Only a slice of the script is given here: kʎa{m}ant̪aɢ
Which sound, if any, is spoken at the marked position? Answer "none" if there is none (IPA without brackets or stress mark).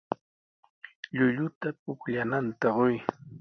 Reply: n